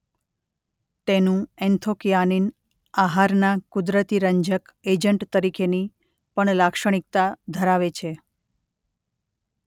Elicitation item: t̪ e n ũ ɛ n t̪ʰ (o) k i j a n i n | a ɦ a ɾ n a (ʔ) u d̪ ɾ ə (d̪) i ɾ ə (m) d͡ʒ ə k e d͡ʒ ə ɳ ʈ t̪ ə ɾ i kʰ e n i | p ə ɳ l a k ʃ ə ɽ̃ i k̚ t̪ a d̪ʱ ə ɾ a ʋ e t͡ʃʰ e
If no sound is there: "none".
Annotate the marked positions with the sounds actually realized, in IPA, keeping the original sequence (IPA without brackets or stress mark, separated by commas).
o, k, t̪, ɲ